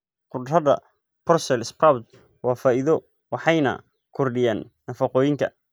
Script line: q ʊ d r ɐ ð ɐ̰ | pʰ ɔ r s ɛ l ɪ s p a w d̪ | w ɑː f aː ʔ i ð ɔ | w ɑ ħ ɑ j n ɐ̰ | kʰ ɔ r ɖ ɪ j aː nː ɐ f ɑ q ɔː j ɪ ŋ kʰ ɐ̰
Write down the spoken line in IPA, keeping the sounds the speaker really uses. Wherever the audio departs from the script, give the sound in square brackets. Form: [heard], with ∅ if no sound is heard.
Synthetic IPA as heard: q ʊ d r ɐ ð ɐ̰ | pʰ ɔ r s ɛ l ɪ s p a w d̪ | w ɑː f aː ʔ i ð ɔ | w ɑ ħ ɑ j n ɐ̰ | kʰ ɔ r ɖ ɪ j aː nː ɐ f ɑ q ɔː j ɪ ŋ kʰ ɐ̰